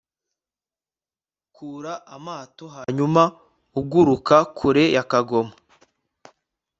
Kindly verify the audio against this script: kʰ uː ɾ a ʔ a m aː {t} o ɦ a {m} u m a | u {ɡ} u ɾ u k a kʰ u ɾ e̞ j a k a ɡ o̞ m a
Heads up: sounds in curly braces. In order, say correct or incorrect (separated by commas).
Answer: correct, incorrect, correct